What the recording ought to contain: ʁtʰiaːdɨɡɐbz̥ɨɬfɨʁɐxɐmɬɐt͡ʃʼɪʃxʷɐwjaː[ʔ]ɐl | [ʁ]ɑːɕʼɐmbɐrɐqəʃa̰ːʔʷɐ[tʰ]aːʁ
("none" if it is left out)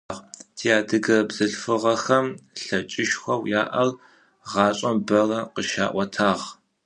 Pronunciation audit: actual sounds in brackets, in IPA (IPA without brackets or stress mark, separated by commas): ʔ, ʁ, tʰ